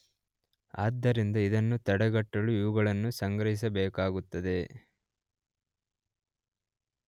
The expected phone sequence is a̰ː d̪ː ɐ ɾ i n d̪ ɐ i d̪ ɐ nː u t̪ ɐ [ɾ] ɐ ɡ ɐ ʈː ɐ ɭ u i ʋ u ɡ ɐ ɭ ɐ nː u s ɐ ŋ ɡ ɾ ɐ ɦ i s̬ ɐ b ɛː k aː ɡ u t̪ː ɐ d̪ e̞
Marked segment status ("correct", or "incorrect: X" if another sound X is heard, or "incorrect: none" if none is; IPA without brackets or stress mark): incorrect: ɽ